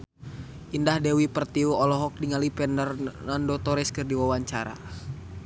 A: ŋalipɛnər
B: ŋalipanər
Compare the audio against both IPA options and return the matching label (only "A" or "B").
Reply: A